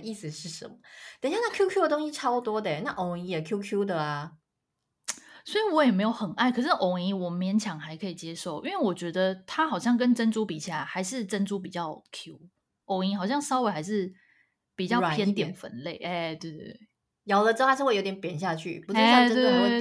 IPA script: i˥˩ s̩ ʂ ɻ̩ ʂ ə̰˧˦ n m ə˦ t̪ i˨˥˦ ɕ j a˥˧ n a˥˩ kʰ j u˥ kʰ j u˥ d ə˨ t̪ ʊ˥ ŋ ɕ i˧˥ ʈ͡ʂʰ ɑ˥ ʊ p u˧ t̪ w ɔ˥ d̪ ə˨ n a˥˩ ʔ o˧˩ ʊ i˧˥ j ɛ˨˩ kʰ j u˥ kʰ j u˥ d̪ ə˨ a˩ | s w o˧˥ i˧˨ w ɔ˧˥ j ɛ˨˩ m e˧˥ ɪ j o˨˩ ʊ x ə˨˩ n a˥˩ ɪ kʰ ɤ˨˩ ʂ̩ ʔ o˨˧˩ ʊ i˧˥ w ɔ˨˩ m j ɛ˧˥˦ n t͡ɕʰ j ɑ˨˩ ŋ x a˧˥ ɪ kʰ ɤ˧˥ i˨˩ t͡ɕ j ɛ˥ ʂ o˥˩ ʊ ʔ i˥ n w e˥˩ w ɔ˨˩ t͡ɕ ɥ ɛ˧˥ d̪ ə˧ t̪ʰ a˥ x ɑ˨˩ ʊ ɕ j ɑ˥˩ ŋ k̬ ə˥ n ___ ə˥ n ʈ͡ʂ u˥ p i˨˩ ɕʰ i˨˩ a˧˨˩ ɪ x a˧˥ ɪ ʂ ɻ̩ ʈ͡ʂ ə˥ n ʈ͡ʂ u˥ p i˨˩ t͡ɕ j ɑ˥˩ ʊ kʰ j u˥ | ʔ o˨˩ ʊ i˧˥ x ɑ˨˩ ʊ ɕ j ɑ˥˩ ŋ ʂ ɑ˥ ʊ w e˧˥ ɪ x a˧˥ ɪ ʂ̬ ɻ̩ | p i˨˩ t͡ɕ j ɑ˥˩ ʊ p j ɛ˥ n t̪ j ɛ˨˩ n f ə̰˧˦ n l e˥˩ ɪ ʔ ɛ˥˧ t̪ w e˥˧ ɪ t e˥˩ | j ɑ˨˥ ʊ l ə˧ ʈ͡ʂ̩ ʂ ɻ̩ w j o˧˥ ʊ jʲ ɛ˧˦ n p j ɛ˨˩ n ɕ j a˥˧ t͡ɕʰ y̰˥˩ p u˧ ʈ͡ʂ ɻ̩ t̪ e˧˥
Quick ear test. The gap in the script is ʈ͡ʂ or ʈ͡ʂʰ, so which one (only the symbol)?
ʈ͡ʂ